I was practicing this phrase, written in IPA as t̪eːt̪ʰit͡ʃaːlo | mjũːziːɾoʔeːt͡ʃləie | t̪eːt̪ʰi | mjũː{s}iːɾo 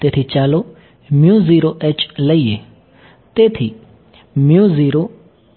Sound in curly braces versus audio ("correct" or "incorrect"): incorrect